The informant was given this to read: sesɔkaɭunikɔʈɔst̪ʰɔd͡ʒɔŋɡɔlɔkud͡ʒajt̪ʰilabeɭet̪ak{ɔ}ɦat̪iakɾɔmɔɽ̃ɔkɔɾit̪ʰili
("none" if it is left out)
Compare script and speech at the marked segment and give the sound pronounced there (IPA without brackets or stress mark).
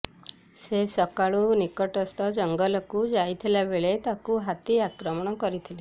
u